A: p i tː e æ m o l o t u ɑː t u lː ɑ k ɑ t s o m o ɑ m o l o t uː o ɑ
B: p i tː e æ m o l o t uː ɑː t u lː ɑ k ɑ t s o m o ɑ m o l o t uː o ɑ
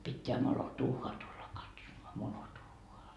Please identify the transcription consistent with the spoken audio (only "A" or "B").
B